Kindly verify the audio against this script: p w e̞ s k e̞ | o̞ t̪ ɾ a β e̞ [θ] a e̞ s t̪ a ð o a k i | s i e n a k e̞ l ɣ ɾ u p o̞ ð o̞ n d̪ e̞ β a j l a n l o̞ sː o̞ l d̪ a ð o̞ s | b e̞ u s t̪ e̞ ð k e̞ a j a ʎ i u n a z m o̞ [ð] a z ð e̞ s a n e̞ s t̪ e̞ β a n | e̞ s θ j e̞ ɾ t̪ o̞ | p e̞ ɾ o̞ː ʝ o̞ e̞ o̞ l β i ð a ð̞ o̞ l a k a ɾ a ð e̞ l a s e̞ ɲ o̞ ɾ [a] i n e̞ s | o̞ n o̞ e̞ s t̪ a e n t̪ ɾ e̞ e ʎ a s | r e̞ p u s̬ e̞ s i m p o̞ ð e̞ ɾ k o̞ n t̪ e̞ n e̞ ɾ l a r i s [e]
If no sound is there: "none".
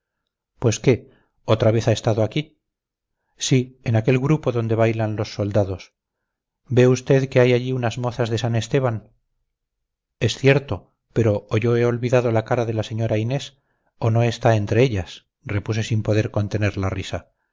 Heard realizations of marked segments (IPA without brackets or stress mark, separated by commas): θ, θ, a, a